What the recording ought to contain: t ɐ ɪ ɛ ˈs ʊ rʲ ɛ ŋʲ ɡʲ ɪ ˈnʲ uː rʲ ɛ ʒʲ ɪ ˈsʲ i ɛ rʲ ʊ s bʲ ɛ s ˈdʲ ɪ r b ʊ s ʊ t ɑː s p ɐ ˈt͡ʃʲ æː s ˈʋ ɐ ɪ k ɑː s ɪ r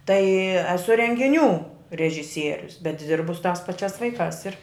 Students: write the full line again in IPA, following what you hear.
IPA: t ɐ ɪ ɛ ˈs ʊ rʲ ɛ ŋʲ ɡʲ ɪ ˈnʲ uː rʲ ɛ ʒʲ ɪ ˈsʲ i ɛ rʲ ʊ s bʲ ɛ t ˈdʲ ɪ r b ʊ s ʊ t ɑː s p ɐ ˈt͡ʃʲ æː s ˈʋ ɐ ɪ k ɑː s ɪ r